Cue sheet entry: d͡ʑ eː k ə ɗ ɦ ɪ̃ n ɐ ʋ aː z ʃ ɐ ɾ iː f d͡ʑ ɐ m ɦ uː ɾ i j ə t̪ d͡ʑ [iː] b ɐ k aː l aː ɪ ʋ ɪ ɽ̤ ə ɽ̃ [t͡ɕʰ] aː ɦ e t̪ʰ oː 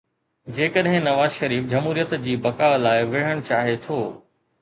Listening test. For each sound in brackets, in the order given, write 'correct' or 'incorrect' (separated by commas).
correct, incorrect